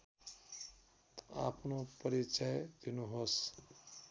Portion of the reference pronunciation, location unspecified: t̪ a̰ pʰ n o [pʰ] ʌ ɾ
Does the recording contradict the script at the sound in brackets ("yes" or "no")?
yes